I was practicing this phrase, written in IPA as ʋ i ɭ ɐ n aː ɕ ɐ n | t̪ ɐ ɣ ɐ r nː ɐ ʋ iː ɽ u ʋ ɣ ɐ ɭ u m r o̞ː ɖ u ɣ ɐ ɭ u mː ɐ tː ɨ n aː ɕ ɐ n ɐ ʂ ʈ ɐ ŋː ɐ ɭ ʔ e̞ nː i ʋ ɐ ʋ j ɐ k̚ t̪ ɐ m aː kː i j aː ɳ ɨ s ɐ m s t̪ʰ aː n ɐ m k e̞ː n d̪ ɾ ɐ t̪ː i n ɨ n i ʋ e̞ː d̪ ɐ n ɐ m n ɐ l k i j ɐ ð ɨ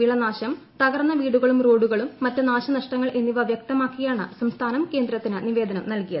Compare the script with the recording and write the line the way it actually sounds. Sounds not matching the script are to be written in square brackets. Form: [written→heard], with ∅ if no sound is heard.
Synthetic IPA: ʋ i ɭ ɐ n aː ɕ ɐ [n→m] | t̪ ɐ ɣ ɐ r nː ɐ ʋ iː ɽ u [ʋ→∅] ɣ ɐ ɭ u m r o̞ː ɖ u ɣ ɐ ɭ u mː ɐ tː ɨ n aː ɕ ɐ n ɐ ʂ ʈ ɐ ŋː ɐ ɭ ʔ e̞ nː i ʋ ɐ ʋ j ɐ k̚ t̪ ɐ m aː kː i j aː ɳ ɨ s ɐ m s t̪ʰ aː n ɐ m k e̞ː n d̪ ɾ ɐ t̪ː i n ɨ n i ʋ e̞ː d̪ ɐ n ɐ m n ɐ l k i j ɐ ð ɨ